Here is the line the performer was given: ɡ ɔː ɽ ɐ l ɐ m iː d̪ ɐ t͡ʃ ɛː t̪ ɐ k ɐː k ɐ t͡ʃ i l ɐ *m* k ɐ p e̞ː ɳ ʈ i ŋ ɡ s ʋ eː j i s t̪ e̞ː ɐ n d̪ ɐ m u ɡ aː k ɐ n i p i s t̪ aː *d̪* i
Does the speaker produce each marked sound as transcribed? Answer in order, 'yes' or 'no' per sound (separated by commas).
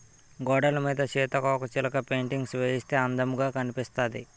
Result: no, yes